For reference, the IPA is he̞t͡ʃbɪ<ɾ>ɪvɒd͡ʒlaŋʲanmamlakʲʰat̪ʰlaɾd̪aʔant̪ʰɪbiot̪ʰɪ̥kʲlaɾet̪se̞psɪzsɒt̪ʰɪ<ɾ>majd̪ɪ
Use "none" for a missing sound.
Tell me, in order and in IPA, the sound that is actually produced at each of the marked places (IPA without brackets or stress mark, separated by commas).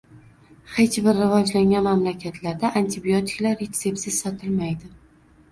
ɾː, l